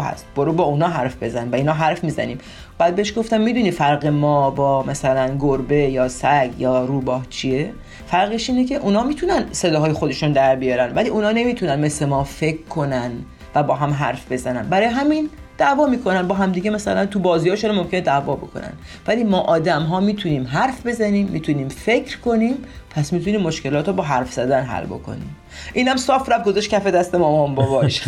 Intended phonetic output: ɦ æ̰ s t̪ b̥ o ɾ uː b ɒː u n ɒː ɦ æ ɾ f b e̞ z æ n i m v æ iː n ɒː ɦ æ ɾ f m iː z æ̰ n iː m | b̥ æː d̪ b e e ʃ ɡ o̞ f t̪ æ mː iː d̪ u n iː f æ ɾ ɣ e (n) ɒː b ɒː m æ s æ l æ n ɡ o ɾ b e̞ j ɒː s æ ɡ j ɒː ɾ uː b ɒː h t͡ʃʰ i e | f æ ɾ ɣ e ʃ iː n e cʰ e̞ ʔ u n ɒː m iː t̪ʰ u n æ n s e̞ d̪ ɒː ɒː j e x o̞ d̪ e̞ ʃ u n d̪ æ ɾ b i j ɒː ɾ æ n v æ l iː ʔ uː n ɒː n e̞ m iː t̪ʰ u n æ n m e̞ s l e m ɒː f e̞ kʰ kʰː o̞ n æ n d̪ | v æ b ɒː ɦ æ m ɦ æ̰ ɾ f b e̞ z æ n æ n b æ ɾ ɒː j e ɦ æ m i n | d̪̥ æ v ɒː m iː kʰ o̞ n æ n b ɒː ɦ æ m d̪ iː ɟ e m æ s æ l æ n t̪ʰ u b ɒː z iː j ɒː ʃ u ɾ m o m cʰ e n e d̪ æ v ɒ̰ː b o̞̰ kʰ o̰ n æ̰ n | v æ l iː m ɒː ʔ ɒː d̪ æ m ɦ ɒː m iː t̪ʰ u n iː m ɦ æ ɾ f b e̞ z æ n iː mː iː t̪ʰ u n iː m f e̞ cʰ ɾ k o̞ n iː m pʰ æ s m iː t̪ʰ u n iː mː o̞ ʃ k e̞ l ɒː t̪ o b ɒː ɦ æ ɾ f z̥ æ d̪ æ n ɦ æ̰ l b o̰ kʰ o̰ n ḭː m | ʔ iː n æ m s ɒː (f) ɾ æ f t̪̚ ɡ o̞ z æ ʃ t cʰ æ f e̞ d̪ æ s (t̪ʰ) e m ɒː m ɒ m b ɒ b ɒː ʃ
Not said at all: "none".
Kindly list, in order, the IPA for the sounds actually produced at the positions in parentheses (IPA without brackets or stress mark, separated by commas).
m, f, t̪